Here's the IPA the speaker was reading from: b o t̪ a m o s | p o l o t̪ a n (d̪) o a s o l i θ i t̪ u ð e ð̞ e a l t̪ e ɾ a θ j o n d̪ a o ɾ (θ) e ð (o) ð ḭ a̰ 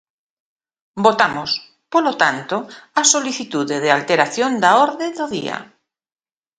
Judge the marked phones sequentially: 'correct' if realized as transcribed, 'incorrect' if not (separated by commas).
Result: incorrect, incorrect, correct